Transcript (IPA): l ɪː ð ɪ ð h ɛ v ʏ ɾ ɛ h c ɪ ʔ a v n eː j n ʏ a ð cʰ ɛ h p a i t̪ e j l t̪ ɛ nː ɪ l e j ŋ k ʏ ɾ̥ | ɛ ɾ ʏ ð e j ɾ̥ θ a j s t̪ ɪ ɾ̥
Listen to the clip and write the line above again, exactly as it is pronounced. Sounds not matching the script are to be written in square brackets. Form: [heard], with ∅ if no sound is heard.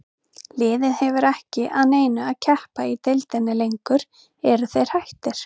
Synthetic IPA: l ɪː ð ɪ ð h ɛ v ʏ ɾ ɛ h c ɪ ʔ a [ð] n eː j n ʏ a ð cʰ ɛ h p a i t̪ e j l t̪ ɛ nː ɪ l e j ŋ k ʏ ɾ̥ | ɛ ɾ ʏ [θ] e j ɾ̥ [h] a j [h] t̪ ɪ ɾ̥